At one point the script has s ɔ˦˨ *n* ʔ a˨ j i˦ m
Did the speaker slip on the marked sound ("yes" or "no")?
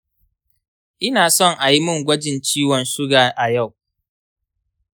yes